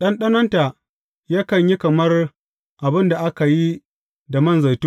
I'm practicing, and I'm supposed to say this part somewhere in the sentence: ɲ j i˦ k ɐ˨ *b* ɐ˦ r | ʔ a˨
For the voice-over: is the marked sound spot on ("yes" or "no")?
no